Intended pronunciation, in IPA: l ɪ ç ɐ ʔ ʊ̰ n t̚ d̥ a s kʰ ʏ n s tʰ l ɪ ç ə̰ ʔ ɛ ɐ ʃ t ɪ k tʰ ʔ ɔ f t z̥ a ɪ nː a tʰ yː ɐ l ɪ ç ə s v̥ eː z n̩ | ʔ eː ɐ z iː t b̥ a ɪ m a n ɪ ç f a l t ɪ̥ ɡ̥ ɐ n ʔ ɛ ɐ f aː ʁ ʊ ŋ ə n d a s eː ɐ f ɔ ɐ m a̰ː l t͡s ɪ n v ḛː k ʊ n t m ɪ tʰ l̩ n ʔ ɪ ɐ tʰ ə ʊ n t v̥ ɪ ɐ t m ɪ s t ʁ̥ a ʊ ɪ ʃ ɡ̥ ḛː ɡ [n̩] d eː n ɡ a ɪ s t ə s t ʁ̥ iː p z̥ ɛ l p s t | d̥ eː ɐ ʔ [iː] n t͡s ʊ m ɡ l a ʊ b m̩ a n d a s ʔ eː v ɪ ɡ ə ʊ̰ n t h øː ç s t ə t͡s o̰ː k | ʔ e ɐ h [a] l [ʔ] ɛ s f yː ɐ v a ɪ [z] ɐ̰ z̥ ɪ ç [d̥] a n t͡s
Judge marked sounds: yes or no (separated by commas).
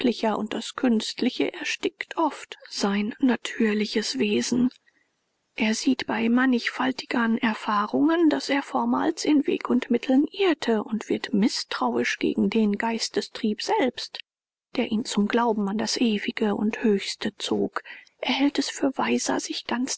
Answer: no, yes, no, no, yes, no